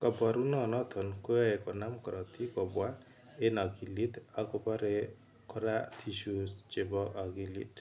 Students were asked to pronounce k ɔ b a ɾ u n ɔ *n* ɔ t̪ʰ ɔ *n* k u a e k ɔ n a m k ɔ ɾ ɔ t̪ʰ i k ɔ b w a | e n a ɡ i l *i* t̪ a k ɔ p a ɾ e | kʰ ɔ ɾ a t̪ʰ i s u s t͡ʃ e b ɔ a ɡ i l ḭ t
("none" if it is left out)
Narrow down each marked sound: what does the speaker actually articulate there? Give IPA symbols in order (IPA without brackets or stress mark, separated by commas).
n, n, i